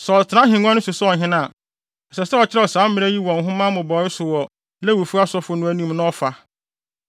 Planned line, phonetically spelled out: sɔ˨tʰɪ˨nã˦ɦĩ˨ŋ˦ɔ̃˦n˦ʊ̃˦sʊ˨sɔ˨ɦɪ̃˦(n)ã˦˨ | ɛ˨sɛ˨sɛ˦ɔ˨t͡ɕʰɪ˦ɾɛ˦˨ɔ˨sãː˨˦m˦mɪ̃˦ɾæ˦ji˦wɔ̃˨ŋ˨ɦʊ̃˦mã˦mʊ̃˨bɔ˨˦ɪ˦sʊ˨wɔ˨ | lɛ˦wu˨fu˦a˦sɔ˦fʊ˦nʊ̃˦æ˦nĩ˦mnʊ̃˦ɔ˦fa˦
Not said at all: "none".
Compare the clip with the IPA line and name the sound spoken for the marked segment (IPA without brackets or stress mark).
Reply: n